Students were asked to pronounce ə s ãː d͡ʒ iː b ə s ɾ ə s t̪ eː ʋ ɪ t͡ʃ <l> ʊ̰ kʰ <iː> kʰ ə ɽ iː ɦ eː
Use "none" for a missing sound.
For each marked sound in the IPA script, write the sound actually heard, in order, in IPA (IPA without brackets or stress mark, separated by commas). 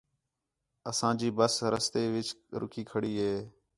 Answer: ɾ, iː